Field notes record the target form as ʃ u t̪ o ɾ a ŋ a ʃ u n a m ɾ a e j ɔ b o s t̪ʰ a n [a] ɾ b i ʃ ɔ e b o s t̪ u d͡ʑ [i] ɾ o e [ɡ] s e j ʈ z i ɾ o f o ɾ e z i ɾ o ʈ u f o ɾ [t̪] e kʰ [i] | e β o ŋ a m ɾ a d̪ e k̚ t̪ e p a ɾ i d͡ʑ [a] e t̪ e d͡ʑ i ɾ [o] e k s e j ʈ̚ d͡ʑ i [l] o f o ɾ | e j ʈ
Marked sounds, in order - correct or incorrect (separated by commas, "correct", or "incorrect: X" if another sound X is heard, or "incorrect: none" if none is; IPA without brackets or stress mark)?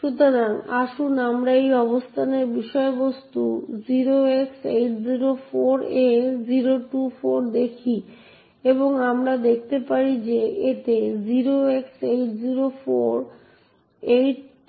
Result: incorrect: e, correct, incorrect: k, incorrect: d̪, correct, incorrect: e, correct, incorrect: ɾ